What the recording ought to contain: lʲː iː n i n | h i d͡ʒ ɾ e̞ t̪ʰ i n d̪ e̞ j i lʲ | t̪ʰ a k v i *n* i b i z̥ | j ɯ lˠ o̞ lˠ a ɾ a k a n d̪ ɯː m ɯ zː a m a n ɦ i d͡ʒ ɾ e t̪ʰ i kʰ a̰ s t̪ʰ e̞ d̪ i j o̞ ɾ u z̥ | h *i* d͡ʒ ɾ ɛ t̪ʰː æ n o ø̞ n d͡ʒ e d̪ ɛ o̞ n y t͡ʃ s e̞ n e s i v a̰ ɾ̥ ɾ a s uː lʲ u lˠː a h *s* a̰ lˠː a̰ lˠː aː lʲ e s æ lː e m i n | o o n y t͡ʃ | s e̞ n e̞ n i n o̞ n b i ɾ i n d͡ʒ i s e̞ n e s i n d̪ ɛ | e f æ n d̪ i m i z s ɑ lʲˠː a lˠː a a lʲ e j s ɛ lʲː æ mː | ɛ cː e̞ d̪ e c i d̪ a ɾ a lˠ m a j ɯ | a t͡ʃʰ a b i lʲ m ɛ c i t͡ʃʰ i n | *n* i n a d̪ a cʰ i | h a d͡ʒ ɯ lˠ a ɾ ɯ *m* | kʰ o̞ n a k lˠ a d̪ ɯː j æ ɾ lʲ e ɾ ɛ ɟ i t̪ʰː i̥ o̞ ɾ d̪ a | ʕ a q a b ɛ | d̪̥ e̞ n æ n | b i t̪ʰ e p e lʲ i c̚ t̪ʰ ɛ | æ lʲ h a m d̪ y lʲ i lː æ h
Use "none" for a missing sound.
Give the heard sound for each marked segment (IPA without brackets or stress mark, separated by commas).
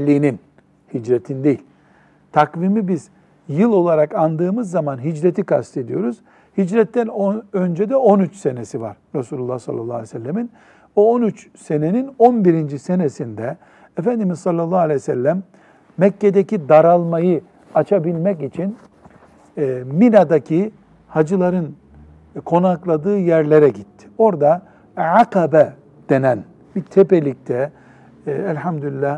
m, i, s, m, n